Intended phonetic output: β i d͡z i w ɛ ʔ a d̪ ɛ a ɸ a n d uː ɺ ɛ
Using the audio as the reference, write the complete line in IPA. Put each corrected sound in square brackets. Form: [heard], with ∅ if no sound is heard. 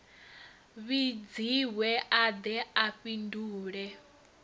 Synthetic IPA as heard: β i d͡z i w ɛ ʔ a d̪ ɛ a ɸ [i] n d uː ɺ ɛ